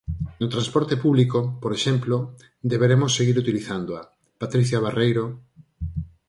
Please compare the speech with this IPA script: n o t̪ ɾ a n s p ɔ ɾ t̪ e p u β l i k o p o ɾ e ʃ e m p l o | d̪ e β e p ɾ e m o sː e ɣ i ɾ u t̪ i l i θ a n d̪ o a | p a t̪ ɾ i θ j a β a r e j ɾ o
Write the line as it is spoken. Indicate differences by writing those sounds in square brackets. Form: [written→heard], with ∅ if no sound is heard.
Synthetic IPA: n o t̪ ɾ a n s p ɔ ɾ t̪ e p u β l i k o p o ɾ e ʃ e m p l o | d̪ e β e [p→∅] ɾ e m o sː e ɣ i ɾ u t̪ i l i θ a n d̪ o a | p a t̪ ɾ i θ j a β a r e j ɾ o